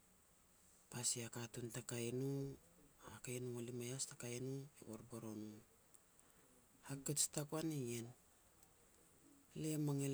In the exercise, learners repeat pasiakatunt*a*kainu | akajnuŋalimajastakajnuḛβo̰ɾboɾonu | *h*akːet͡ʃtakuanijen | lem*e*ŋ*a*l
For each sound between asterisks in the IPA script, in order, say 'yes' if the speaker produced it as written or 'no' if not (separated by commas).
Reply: yes, yes, no, no